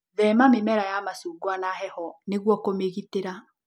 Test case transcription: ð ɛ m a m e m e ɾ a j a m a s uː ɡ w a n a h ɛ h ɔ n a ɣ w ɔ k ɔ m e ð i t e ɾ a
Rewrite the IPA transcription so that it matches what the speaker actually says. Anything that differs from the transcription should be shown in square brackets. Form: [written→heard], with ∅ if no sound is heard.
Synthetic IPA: ð ɛ m a m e m [e→ɛ] ɾ a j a m a s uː ɡ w a n a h ɛ h ɔ n [a→e] ɣ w ɔ k [ɔ→o] m e [ð→ɣ] i t e ɾ a